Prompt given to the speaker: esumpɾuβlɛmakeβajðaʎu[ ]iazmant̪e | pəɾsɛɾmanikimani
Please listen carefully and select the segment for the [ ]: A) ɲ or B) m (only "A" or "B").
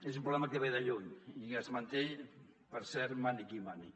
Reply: A